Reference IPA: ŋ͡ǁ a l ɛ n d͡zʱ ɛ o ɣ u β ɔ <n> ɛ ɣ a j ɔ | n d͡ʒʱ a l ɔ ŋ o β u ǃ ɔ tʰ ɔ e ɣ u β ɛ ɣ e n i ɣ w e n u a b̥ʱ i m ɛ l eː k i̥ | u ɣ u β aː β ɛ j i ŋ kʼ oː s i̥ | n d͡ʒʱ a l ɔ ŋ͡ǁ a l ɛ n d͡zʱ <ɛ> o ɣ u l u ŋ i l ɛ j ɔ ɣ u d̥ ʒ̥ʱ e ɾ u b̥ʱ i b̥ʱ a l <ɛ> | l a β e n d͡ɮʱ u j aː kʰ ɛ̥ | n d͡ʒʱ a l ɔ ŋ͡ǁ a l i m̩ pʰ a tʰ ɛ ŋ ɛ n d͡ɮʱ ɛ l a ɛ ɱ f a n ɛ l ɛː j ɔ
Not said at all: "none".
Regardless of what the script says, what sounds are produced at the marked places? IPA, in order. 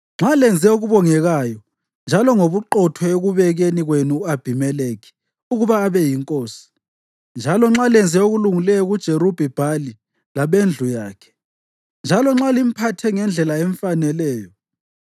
ŋ, ɛ, i

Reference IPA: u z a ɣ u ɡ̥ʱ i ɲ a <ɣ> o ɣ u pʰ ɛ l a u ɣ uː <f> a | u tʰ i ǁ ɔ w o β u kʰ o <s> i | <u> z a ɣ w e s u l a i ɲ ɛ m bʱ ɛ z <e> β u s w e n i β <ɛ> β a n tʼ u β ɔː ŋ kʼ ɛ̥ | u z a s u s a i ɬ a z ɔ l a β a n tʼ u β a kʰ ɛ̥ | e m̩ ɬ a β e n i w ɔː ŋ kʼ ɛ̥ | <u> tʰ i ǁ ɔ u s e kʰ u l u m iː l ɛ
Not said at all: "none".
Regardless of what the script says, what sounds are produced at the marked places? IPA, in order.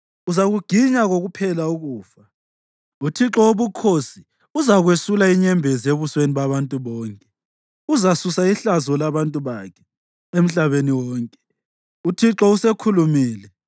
ɣ, f, s, u, e, a, u

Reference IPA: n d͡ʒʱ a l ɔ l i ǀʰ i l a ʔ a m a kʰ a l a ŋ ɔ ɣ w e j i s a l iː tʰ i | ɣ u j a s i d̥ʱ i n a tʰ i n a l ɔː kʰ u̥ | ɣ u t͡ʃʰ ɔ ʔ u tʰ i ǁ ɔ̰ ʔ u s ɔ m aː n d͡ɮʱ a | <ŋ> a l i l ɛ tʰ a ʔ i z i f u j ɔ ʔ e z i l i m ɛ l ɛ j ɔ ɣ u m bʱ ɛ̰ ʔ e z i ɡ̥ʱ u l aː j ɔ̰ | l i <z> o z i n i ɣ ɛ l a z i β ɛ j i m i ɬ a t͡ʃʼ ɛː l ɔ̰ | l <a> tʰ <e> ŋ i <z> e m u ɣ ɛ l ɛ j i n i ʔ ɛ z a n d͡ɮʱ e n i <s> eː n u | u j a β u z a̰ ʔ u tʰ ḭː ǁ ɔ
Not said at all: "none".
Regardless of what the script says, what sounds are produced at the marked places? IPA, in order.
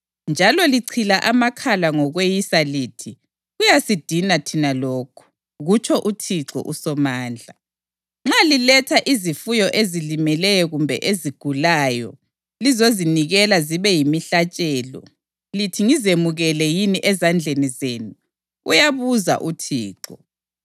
ŋ͡ǁ, z, i, i, z, z

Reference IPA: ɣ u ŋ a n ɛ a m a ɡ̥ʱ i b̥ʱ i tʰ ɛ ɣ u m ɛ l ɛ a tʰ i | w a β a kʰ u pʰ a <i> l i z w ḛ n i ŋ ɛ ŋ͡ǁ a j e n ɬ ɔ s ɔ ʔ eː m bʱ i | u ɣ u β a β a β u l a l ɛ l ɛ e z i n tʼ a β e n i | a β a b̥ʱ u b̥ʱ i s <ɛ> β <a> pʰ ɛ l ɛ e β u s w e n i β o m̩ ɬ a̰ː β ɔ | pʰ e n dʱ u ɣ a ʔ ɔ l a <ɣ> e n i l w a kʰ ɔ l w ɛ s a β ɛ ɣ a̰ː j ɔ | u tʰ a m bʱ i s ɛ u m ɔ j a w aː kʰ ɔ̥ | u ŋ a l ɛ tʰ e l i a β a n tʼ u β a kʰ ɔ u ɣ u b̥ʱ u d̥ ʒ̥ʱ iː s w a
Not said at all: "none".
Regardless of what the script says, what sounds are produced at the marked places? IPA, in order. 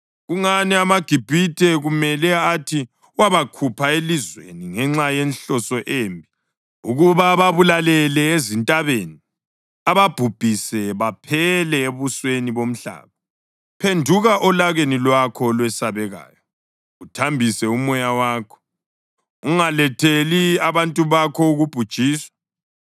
e, ɛ, a, ɣ

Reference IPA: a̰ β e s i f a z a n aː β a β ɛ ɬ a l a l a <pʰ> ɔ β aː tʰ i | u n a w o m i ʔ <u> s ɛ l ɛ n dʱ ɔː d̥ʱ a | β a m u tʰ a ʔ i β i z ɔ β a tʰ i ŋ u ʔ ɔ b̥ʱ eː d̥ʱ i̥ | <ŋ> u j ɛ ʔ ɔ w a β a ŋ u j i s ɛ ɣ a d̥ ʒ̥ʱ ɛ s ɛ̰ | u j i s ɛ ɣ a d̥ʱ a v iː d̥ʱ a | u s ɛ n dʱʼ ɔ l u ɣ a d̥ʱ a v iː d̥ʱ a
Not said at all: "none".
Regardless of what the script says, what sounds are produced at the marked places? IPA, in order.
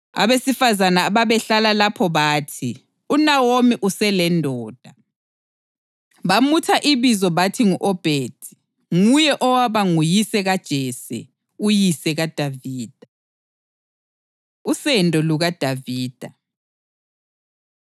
pʰ, u, ŋ

